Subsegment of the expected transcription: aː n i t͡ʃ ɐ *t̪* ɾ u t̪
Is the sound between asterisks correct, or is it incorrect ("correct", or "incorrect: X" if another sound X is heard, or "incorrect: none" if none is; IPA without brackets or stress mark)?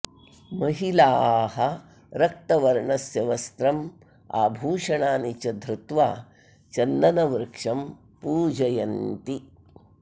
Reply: incorrect: d̪